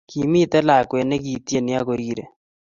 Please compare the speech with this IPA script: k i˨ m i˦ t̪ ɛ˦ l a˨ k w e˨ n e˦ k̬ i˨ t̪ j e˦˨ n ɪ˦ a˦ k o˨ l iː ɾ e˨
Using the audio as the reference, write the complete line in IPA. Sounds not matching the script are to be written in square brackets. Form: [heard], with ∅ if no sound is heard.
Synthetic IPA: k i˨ m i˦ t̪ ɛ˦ l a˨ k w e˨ n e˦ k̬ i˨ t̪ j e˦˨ n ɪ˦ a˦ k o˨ [ɾ] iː ɾ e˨